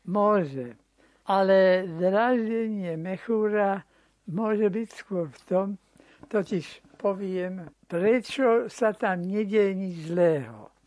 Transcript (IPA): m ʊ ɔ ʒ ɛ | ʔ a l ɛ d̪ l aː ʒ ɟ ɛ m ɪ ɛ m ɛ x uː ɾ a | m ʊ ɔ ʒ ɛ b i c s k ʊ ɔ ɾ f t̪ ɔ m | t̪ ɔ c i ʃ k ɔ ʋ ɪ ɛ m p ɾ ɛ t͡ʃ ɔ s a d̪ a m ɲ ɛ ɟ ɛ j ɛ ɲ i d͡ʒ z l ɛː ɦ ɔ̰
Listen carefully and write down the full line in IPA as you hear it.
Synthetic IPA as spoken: m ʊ ɔ ʒ ɛ | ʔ a l ɛ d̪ ɾ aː ʒ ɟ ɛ ɲ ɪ ɛ m ɛ x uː ɾ a | m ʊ ɔ ʒ ɛ b i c s k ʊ ɔ ɾ f t̪ ɔ m | t̪ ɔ c i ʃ p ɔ ʋ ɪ ɛ m p ɾ ɛ t͡ʃ ɔ s a t̪ a m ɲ ɛ ɟ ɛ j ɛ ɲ i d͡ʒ z l ɛː ɦ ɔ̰